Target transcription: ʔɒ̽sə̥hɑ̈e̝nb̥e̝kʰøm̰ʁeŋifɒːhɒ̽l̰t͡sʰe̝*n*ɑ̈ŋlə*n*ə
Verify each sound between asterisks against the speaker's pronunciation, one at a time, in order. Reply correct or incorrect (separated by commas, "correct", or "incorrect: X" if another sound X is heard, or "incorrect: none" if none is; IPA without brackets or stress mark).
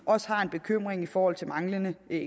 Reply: incorrect: m, correct